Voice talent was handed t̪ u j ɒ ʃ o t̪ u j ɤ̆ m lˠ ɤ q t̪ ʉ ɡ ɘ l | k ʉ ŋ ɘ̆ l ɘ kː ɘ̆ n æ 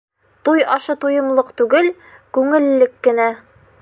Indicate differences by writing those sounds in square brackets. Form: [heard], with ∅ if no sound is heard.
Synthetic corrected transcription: t̪ u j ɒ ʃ [ɤ] t̪ u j ɤ̆ m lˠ ɤ q t̪ ʉ ɡ ɘ l | k ʉ ŋ ɘ̆ [lː] ɘ kː ɘ̆ n æ